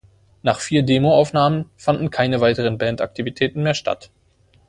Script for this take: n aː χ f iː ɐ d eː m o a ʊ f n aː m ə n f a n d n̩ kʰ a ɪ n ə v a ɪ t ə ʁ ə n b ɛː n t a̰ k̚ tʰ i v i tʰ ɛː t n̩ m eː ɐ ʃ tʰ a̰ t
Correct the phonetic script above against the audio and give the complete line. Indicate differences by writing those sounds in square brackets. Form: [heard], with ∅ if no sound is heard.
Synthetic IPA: n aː χ f iː ɐ d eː m o a ʊ f n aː m ə n f a n d n̩ kʰ a ɪ n ə v a ɪ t ə ʁ ə n b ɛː n t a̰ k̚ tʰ i v i tʰ ɛː t n̩ m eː ɐ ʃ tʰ a̰ t